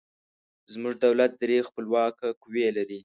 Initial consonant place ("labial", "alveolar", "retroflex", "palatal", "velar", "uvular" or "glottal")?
alveolar